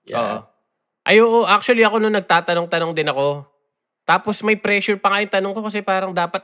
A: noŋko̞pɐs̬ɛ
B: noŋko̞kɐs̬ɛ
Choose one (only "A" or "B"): B